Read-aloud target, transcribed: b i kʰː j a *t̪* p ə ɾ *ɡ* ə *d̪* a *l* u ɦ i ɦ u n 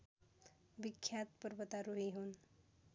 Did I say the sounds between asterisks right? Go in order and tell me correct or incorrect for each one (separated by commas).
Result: correct, incorrect, incorrect, incorrect